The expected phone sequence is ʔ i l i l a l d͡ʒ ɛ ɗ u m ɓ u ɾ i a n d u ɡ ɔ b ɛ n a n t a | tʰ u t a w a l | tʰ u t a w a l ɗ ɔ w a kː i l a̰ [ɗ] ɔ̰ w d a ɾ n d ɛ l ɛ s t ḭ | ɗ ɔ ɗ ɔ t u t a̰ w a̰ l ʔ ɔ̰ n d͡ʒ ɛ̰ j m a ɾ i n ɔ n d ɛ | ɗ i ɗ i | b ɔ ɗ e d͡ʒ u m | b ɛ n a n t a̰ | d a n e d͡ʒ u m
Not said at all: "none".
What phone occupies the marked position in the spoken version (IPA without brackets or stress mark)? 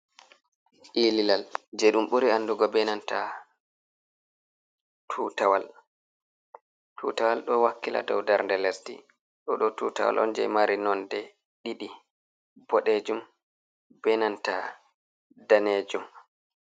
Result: d